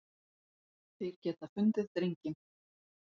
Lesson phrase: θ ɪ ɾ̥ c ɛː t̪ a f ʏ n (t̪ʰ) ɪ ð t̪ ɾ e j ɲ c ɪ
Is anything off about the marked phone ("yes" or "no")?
yes